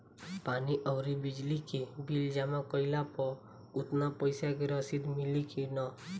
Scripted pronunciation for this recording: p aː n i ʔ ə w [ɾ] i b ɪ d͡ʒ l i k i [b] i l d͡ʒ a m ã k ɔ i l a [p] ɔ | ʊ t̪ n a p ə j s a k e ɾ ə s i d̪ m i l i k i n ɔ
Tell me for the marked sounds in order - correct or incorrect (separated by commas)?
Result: correct, correct, correct